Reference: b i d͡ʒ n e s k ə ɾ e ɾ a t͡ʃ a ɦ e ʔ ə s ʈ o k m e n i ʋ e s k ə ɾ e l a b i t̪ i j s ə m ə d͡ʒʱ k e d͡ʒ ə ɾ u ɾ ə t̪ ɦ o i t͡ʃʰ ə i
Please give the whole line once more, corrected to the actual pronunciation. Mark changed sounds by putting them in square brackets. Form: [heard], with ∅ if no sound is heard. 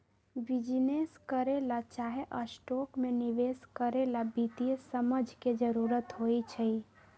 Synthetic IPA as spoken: b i d͡ʒ n e s k ə ɾ e [l] a t͡ʃ a ɦ e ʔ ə s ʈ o k m e n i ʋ e s k ə ɾ e l a b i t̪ i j s ə m ə d͡ʒʱ k e d͡ʒ ə ɾ u ɾ ə t̪ ɦ o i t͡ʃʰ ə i

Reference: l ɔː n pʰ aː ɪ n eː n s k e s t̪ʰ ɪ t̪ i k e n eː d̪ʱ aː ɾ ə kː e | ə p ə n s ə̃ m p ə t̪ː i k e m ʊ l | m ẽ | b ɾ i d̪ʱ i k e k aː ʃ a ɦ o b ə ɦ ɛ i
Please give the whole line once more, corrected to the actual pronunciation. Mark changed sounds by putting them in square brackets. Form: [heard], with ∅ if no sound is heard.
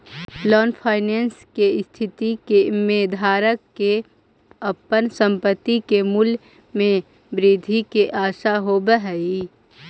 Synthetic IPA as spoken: l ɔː n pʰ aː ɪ n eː n s k e s t̪ʰ ɪ t̪ i k e [m] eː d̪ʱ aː ɾ ə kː e | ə p ə n s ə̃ m p ə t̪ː i k e m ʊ l | m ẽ | b ɾ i d̪ʱ i k e [ʔ] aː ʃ a ɦ o b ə ɦ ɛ i

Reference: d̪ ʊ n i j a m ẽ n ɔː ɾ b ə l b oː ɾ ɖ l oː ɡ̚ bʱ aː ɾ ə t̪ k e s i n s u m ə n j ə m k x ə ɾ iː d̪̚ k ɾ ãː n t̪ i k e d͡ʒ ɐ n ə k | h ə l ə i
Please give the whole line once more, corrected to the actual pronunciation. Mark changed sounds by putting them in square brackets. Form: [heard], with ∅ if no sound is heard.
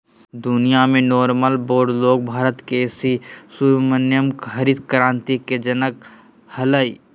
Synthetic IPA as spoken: d̪ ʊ n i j a m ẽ n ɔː ɾ [m] ə l b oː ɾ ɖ l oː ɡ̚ bʱ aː ɾ ə t̪ k e s i [∅] s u m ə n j ə m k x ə ɾ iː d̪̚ k ɾ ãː n t̪ i k e d͡ʒ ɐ n ə k | h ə l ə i

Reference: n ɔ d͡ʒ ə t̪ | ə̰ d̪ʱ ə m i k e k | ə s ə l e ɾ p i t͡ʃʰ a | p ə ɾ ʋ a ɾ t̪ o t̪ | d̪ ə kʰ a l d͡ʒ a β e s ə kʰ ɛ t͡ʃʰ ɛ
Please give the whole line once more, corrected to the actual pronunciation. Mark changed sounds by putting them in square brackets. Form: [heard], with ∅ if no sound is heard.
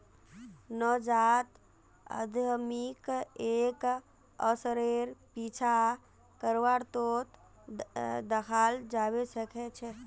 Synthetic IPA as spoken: n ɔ d͡ʒ [a] t̪ | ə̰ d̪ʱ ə m i k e k | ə s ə [ɾ] e ɾ p i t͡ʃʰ a | [k] ə ɾ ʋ a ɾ t̪ o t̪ | d̪ ə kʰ a l d͡ʒ a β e s ə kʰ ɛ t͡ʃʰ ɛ

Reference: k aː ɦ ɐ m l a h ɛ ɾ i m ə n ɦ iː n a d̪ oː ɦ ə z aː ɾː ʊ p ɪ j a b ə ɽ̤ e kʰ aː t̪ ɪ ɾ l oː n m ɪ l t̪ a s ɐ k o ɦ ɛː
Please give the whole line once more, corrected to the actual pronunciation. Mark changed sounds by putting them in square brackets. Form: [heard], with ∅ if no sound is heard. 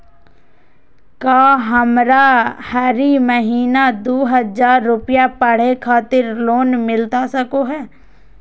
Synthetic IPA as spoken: k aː ɦ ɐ m [ɾ] a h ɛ ɾ i m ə [∅] ɦ iː n a d̪ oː ɦ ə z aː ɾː ʊ p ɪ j a [p] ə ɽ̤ e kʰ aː t̪ ɪ ɾ l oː n m ɪ l t̪ a s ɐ k o ɦ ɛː

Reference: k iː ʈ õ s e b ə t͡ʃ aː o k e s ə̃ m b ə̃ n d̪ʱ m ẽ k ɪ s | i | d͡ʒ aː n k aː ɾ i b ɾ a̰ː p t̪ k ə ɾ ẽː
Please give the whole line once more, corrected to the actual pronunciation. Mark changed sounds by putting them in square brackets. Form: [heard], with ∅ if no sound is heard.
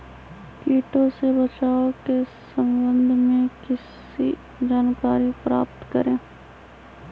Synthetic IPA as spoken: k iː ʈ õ s e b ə t͡ʃ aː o k e s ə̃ m b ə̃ n d̪ʱ m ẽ k ɪ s | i | d͡ʒ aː n k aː ɾ i [p] ɾ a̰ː p t̪ k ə ɾ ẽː

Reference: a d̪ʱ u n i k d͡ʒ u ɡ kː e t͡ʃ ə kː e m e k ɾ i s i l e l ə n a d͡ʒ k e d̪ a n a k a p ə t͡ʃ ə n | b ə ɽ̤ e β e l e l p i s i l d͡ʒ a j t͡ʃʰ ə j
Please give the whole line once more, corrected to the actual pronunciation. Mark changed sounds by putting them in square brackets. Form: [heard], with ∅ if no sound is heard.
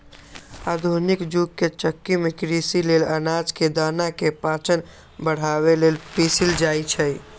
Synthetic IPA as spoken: a d̪ʱ u n i k d͡ʒ u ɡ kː e t͡ʃ ə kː [i] m e k ɾ i s i l e l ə n a d͡ʒ k e d̪ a n a k [e] p [a] t͡ʃ ə n | b ə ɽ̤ [a] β e l e l p i s i l d͡ʒ a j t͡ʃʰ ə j

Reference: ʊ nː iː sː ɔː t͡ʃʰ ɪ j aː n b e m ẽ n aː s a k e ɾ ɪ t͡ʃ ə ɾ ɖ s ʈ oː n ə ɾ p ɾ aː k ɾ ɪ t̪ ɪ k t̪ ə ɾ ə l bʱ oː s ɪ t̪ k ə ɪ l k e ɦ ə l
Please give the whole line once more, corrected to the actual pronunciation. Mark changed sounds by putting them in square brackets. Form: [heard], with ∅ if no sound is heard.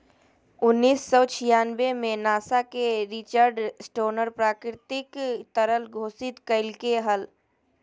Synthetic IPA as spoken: ʊ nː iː sː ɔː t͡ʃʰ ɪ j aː n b e m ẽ n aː s a k e ɾ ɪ t͡ʃ ə ɾ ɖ s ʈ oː n ə ɾ p ɾ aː k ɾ ɪ t̪ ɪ k t̪ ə ɾ ə l [ɡʱ] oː s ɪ t̪ k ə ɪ l k e ɦ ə l

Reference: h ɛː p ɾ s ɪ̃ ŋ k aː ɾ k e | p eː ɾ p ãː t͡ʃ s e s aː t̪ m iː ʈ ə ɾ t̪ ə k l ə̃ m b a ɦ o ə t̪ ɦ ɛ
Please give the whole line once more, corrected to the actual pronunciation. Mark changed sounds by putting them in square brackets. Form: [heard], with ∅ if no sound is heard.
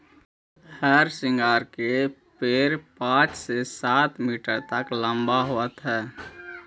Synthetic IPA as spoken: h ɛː [∅] ɾ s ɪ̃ ŋ [ɡ] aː ɾ k e | p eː ɾ p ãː t͡ʃ s e s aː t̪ m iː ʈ ə ɾ t̪ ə k l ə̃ m b a ɦ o ə t̪ ɦ [ɛː]

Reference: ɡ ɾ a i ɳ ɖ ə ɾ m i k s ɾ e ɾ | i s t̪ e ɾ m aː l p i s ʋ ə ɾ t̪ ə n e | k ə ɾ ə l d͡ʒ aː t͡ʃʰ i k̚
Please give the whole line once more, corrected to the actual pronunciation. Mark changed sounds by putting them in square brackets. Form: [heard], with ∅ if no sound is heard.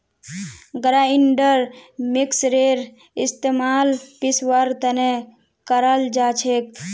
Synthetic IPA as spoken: ɡ ɾ a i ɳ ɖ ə ɾ m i k s ɾ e ɾ | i s t̪ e [∅] m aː l p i s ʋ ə ɾ t̪ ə n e | k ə ɾ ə l d͡ʒ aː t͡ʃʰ [e] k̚

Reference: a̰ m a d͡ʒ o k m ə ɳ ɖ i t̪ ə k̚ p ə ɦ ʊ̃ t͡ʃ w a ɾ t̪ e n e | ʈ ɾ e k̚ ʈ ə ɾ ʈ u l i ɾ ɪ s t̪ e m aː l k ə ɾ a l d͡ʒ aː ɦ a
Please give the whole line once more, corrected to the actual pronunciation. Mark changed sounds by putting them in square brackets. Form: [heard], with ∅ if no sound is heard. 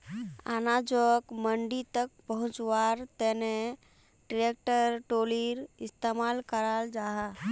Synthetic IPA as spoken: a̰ [n] a d͡ʒ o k m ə ɳ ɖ i t̪ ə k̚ p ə ɦ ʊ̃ t͡ʃ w a ɾ t̪ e n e | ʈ ɾ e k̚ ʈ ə ɾ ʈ [o] l i ɾ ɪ s t̪ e m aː l k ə ɾ a l d͡ʒ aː ɦ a

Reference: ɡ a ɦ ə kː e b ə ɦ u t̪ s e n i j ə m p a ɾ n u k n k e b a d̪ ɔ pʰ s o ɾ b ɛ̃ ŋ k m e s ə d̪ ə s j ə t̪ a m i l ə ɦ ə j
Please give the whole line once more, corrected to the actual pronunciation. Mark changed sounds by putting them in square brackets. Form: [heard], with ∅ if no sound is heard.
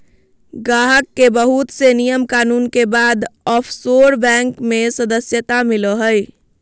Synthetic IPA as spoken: ɡ a ɦ ə kː e b ə ɦ u t̪ s e n i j ə m [k] a [∅] n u [∅] n k e b a d̪ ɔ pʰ s o ɾ b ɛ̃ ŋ k m e s ə d̪ ə s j ə t̪ a m i l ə ɦ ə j

